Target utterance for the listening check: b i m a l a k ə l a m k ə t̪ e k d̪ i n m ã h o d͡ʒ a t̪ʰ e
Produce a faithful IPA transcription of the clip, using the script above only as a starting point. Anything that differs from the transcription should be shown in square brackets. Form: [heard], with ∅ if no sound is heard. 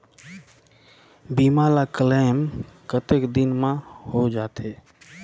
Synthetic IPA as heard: b i m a l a k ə l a m k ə t̪ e k d̪ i n m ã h o d͡ʒ a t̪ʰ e